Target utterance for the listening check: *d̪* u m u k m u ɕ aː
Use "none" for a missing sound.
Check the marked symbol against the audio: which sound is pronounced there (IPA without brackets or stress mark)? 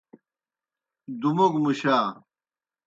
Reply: d̪